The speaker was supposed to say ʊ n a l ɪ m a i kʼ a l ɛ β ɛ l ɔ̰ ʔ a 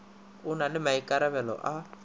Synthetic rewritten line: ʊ n a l ɪ m a i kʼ a ɾ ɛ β ɛ l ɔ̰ ʔ a